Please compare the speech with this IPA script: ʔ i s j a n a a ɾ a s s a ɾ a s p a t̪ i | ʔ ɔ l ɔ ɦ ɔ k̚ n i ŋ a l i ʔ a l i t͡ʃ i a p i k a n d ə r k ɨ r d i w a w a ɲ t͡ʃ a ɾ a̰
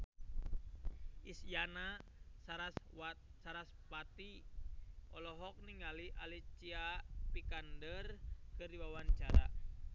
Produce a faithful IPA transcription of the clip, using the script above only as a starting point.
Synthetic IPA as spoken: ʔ i s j a n a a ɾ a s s a ɾ a s p a t̪ i | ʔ ɔ l ɔ ɦ ɔ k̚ n i ŋ a l i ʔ a l i t͡ʃ i a p i k a n d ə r k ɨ r d i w a w a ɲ t͡ʃ a ɾ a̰